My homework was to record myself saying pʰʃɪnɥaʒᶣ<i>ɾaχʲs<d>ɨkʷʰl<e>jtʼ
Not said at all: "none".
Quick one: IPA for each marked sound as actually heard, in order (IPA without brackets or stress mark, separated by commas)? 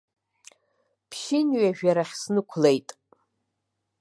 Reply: a, n, e